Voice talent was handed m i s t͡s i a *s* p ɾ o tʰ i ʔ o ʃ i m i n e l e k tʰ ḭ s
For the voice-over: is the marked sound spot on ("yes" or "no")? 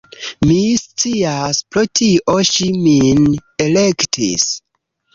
yes